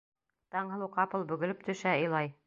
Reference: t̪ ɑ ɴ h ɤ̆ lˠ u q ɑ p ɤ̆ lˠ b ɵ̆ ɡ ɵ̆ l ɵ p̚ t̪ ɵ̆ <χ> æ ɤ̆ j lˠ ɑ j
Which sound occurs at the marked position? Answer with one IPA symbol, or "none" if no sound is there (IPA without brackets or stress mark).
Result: ʃ